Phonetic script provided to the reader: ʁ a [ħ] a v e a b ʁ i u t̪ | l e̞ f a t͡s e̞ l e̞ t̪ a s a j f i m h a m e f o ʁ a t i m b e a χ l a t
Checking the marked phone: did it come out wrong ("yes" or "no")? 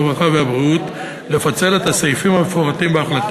yes